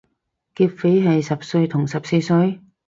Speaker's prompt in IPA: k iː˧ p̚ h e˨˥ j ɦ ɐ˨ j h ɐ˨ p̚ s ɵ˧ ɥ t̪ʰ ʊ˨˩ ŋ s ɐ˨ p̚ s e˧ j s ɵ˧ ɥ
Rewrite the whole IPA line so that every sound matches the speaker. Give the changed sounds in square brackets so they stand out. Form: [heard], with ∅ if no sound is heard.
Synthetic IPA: k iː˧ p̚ [f] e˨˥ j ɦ ɐ˨ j [s] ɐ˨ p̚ s ɵ˧ ɥ t̪ʰ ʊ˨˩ ŋ s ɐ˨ p̚ s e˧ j s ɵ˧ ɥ